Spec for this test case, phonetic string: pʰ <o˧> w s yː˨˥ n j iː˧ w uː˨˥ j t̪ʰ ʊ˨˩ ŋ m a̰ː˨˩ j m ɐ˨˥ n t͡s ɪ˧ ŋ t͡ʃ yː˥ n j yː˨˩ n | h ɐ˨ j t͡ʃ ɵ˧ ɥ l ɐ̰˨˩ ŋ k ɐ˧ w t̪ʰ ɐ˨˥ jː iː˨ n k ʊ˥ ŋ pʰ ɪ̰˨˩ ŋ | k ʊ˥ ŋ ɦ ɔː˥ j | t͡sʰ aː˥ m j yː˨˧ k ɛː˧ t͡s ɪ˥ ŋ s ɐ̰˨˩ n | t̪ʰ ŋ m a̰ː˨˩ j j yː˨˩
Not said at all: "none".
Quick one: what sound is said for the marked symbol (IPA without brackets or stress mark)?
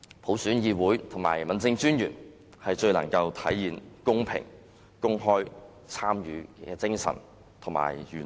o˨˥